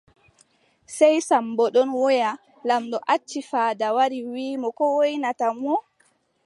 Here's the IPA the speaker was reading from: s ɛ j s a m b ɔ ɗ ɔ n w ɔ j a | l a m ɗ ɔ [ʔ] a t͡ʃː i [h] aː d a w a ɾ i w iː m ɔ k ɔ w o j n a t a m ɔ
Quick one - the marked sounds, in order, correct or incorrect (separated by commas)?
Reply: correct, incorrect